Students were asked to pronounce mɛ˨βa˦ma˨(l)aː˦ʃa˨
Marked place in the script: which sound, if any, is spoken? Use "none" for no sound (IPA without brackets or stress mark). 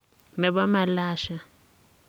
l